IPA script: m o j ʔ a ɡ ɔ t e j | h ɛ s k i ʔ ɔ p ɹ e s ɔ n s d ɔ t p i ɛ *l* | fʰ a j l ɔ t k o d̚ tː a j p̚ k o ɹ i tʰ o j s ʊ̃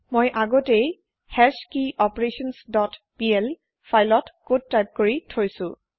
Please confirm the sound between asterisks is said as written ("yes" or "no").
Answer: yes